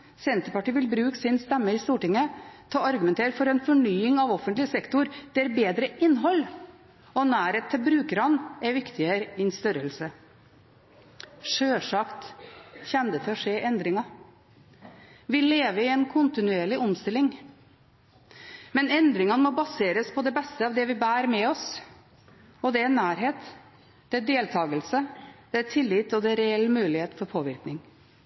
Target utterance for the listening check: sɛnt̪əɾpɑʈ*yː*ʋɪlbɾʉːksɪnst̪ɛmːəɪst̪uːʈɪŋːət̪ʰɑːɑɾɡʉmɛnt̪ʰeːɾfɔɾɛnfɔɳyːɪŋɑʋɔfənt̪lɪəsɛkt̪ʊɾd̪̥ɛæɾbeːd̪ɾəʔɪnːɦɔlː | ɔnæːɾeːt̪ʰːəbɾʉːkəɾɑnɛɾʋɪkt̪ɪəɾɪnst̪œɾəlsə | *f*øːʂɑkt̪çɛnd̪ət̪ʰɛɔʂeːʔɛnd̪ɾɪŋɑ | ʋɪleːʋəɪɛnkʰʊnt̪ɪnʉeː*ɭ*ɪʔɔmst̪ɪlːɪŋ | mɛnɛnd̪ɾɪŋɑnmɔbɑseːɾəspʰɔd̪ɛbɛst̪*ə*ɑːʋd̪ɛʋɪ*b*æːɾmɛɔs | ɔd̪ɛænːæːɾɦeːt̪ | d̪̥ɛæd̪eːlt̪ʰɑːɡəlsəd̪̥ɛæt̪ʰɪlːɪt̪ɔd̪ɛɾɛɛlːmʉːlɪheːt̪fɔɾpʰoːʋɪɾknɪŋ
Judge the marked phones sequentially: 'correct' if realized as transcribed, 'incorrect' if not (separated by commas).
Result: incorrect, incorrect, correct, correct, correct